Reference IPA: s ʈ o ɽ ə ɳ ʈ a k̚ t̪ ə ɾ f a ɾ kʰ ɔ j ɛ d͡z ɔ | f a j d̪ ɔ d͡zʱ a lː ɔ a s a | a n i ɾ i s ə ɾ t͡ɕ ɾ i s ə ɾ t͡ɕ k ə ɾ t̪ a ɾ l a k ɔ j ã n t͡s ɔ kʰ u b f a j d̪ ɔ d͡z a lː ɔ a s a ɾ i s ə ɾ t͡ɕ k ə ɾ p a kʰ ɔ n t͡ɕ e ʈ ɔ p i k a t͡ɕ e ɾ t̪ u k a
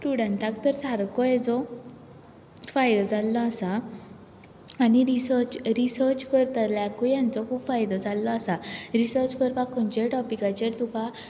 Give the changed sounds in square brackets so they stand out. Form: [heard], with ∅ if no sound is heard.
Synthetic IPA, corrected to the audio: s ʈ [u] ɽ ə ɳ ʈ a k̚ t̪ ə ɾ [s] a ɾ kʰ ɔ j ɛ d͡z ɔ | f a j d̪ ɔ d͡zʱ a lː ɔ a s a | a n i ɾ i s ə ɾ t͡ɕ ɾ i s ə ɾ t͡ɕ k ə ɾ t̪ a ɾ l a k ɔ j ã n t͡s ɔ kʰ u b f a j d̪ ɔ d͡z a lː ɔ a s a ɾ i s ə ɾ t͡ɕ k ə ɾ p a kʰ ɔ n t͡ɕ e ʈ ɔ p i k a t͡ɕ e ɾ t̪ u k a